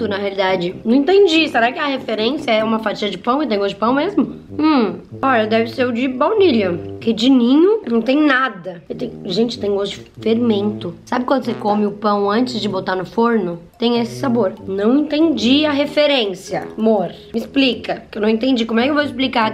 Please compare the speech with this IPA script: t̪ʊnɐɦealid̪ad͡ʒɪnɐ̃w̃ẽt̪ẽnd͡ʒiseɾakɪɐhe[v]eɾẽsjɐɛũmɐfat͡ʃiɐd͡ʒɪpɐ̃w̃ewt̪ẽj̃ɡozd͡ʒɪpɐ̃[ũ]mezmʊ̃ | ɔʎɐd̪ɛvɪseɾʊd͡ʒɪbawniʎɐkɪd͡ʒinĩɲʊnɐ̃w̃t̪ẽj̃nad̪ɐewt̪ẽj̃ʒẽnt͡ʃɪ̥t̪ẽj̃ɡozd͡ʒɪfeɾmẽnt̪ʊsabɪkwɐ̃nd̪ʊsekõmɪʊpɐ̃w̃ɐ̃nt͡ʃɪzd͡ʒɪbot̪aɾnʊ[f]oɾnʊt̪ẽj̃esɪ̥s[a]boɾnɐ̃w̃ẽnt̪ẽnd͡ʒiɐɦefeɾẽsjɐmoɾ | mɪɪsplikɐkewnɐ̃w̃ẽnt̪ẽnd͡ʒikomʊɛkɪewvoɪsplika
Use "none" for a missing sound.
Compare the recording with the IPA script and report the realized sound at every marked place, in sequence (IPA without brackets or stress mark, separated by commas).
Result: f, w̃, f, a